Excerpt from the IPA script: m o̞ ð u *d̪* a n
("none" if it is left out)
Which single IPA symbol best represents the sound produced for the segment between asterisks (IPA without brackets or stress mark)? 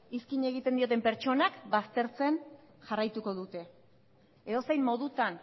t̪